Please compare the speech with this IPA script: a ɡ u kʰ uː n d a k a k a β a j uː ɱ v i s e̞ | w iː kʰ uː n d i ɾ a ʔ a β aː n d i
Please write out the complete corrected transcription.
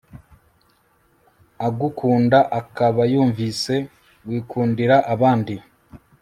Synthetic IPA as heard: a ɡ u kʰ uː n d a ʔ a k a β a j uː ɱ v i s e̞ | w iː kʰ uː n d i ɾ a ʔ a β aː n d i